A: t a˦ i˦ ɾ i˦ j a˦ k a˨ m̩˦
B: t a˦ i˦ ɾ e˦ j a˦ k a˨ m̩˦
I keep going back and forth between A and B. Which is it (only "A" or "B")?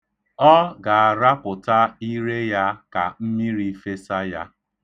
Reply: B